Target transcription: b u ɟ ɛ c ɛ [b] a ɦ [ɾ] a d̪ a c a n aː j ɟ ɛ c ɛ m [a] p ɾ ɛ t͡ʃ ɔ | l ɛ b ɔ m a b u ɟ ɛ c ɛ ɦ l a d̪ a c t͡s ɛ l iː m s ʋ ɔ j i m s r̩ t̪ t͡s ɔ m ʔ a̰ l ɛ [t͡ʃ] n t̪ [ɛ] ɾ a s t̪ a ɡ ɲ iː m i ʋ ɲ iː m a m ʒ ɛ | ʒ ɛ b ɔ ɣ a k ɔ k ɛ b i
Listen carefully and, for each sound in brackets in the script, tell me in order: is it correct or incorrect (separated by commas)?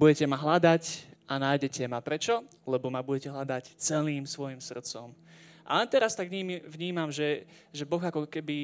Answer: incorrect, incorrect, correct, incorrect, correct